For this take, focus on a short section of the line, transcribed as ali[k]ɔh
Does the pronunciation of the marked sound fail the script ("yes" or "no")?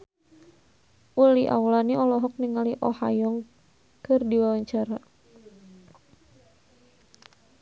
yes